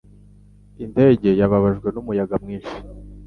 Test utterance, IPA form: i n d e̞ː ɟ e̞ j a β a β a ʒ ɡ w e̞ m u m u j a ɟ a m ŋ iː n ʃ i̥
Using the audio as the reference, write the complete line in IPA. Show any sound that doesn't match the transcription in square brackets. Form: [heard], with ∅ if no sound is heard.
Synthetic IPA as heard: i n d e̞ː ɟ e̞ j a β a β a ʒ ɡ w e̞ [n] u m u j a [ɡ] a m ŋ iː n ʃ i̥

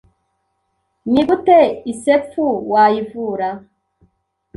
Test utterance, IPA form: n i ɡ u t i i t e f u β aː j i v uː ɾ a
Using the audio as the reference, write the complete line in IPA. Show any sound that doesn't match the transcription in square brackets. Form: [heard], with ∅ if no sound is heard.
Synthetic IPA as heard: n i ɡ u t [e] i [s] e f u [w] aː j i v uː ɾ a

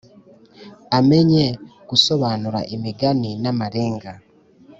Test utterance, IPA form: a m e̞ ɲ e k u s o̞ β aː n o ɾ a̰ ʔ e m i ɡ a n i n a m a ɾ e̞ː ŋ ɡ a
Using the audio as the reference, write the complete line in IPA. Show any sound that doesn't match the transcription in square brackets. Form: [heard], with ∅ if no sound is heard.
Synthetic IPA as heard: a m e̞ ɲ e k u s o̞ β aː n [u] ɾ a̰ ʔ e m i ɡ a n i n a m a ɾ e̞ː ŋ ɡ a

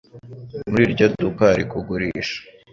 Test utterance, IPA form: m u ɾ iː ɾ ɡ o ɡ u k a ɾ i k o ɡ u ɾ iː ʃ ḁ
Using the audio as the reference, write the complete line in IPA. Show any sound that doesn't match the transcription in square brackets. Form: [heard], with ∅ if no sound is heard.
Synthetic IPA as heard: m u ɾ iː ɾ [ɟ] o [d] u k a ɾ i k [u] ɡ u ɾ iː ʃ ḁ

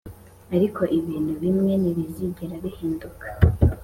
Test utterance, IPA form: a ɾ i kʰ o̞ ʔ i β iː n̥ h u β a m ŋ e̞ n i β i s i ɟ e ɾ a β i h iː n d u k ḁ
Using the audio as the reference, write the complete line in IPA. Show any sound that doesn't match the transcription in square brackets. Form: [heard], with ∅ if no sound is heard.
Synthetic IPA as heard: a ɾ i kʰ o̞ ʔ i β iː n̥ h u β [i] m ŋ e̞ n i β i [z] i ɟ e ɾ a β i h iː n d u k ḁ

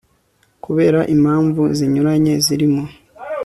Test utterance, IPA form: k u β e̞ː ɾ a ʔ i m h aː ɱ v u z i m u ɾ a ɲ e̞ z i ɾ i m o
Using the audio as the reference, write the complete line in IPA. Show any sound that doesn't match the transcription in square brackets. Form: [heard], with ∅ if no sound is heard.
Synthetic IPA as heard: k u β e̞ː ɾ a ʔ i m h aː ɱ v u z i [ɲ] u ɾ a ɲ e̞ z i ɾ i m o

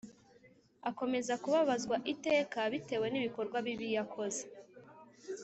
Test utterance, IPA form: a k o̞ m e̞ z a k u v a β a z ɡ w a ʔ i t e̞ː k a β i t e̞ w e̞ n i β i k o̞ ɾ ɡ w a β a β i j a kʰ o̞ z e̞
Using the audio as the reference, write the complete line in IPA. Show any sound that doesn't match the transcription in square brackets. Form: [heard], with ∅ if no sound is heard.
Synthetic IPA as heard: a k o̞ m e̞ z a k u [β] a β a z ɡ w a ʔ i t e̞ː k a β i t e̞ w e̞ n i β i k o̞ ɾ ɡ w a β [i] β i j a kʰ o̞ z e̞

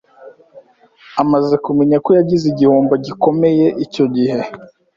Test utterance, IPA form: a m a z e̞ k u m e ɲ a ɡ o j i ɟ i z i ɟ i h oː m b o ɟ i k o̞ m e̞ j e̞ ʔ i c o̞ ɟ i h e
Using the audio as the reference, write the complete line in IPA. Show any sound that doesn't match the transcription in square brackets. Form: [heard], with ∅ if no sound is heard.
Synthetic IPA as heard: a m a z e̞ k u m e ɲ a [k] o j [a] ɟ i z i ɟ i h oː m b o ɟ i k o̞ m e̞ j e̞ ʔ i c o̞ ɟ i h e

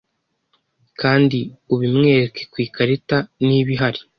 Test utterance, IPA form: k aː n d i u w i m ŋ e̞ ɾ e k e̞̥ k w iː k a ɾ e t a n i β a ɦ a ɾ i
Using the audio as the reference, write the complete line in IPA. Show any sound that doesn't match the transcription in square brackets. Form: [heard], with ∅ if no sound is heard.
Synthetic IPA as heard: k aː n d i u [β] i m ŋ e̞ ɾ e k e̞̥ k w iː k a ɾ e t a n i β [i] ɦ a ɾ i

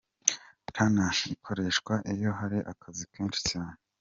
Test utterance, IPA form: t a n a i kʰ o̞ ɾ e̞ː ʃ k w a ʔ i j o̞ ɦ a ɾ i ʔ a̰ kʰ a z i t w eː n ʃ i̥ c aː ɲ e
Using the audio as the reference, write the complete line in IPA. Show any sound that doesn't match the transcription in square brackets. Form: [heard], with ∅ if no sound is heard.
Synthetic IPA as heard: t a n a i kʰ o̞ ɾ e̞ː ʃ k w a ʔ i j o̞ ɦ a ɾ i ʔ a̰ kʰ a z i [k] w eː n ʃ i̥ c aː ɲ e

